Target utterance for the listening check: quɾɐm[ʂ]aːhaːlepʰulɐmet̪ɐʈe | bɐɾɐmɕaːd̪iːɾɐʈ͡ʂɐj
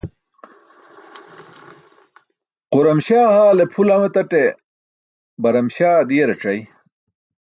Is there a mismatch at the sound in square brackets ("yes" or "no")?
yes